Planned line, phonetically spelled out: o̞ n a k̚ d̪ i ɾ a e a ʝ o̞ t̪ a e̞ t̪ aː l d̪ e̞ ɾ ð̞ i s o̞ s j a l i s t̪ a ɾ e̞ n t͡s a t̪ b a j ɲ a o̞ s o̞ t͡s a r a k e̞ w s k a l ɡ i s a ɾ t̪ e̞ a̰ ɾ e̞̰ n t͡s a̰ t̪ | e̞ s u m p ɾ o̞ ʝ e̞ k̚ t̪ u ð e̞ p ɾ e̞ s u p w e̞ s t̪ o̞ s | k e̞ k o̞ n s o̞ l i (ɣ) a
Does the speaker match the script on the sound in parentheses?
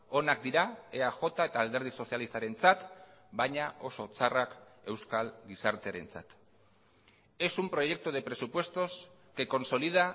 no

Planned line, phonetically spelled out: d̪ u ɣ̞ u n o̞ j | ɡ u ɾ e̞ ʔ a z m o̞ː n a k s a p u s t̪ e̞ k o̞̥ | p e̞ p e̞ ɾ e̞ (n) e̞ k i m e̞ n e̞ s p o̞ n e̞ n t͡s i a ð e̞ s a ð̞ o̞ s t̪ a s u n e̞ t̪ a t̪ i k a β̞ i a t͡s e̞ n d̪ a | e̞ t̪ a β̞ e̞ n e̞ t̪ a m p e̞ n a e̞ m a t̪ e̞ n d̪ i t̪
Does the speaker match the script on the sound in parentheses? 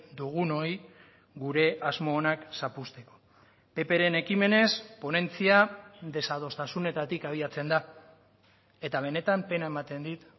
yes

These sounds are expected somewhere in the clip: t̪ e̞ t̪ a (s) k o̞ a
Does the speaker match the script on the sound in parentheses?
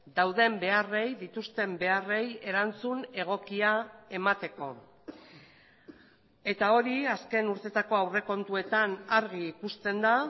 no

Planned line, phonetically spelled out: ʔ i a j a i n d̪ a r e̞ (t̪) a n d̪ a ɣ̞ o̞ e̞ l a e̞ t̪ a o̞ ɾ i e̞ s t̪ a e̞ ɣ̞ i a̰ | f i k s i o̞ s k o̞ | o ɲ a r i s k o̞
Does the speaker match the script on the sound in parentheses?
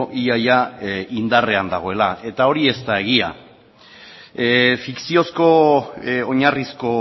no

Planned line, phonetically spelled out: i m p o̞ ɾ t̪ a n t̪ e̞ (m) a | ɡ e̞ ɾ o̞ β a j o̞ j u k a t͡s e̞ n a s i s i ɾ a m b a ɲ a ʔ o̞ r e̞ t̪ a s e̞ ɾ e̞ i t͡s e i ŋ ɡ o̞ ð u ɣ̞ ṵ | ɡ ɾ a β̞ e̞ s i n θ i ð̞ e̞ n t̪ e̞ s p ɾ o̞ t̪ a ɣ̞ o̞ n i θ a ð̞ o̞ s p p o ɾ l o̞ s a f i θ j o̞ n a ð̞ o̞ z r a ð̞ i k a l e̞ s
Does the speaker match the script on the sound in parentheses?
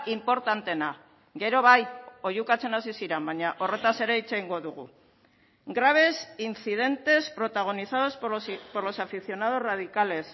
no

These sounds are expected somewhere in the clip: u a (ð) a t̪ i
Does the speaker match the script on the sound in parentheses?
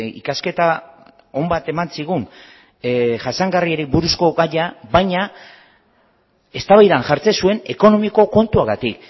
no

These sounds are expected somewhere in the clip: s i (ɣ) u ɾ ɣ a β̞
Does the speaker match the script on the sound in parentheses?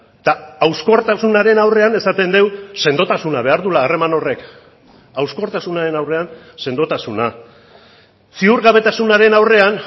no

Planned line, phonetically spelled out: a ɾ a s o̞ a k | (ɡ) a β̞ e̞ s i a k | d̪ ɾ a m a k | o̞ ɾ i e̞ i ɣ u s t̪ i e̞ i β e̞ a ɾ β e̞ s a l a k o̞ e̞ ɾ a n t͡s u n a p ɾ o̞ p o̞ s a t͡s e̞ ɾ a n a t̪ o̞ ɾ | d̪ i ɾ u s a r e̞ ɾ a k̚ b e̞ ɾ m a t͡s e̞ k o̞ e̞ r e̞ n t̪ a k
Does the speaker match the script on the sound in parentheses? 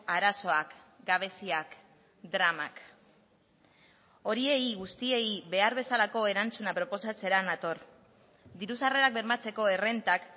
yes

